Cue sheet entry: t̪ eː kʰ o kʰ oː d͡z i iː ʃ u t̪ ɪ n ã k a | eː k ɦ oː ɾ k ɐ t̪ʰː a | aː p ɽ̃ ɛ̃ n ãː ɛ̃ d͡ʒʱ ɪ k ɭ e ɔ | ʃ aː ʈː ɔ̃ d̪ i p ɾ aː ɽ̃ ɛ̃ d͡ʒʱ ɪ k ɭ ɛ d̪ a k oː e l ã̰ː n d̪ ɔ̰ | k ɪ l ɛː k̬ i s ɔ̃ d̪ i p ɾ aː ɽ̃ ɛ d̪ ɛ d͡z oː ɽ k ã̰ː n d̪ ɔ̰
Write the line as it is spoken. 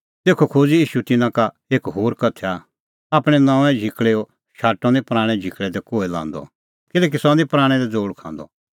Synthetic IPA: t̪ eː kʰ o kʰ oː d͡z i iː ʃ u t̪ ɪ n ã k a | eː k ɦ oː ɾ k ɐ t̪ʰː a | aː p ɽ̃ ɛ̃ n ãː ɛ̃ d͡ʒʱ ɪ k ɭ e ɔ | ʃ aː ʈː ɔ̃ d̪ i p ɾ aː ɽ̃ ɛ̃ d͡ʒʱ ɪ k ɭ ɛ d̪ ɛ k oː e l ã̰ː n d̪ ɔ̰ | k ɪ l ɛː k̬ i s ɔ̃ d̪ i p ɾ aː ɽ̃ ɛ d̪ ɛ d͡z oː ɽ kʰ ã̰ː n d̪ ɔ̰